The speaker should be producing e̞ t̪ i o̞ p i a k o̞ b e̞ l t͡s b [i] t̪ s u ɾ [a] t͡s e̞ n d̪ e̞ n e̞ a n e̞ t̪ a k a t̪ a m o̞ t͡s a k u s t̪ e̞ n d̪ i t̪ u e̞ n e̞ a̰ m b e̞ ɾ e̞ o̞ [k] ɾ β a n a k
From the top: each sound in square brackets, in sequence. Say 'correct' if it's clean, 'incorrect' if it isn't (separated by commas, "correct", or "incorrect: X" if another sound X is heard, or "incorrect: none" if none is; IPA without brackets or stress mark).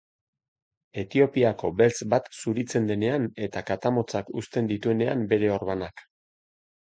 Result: incorrect: a, incorrect: i, incorrect: none